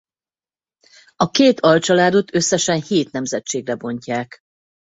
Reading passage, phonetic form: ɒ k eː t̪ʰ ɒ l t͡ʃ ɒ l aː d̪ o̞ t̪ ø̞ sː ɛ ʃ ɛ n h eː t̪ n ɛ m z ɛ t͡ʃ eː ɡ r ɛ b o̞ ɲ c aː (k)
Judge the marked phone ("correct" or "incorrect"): correct